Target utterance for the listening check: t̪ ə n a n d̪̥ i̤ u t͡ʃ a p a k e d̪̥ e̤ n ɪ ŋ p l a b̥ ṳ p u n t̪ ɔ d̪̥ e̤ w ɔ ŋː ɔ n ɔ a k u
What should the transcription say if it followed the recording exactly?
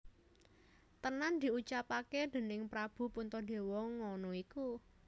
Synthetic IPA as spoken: t̪ ə n a n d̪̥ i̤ u t͡ʃ a p a k e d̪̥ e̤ n ɪ ŋ p ɾ a b̥ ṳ p u n t̪ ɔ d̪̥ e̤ w ɔ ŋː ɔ n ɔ i k u